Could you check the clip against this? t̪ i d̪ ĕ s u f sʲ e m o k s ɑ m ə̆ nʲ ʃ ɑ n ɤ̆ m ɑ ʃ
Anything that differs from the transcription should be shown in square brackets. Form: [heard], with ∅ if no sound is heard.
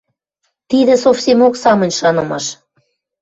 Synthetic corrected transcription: t̪ i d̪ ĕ s [o] f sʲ e m o k s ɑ m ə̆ nʲ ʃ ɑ n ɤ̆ m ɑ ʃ